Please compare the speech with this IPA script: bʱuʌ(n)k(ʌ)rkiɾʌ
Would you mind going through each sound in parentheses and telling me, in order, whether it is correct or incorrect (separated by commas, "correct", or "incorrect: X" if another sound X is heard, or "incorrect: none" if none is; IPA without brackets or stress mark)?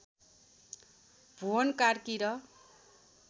correct, incorrect: a